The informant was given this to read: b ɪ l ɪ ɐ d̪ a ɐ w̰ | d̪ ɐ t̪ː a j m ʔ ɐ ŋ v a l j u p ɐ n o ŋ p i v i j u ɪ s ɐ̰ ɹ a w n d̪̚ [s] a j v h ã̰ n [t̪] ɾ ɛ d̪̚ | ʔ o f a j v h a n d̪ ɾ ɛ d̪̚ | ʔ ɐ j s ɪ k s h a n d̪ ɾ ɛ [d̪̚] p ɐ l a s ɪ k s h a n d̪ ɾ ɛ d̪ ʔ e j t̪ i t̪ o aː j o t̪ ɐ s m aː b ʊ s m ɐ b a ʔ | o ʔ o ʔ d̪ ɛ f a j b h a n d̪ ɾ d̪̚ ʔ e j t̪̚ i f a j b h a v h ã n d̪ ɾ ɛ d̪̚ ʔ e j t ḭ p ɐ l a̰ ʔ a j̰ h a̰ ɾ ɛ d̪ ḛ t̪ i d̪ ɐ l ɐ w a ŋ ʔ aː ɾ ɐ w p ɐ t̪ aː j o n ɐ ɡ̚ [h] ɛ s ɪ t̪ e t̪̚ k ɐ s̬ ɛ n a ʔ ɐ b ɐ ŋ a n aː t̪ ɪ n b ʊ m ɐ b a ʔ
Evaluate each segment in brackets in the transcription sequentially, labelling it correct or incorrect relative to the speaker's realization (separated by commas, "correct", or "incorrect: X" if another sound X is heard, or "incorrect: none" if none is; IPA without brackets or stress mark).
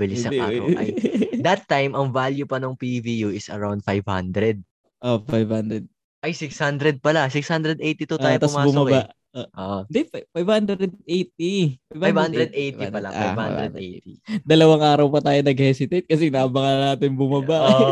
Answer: incorrect: f, incorrect: d̪, correct, correct